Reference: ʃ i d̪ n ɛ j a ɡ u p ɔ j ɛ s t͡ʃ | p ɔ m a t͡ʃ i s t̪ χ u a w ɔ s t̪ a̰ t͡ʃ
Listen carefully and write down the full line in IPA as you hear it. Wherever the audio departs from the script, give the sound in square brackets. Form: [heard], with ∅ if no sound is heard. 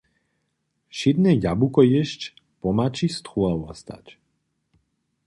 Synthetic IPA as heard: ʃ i d̪ n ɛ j a [b] u [k] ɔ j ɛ [ʃ] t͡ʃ | p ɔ m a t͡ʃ i s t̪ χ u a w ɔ s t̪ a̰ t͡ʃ